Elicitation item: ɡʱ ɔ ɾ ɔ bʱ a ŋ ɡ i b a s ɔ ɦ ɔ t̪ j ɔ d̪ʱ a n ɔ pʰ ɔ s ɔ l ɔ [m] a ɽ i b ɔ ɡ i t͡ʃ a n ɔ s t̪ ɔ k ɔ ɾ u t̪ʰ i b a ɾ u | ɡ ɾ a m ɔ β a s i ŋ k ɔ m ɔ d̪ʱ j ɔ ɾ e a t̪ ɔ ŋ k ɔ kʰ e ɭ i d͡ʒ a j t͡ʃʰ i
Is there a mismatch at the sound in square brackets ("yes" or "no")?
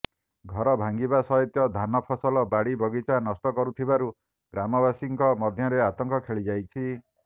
yes